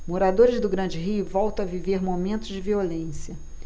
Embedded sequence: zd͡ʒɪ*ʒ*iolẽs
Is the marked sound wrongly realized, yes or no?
yes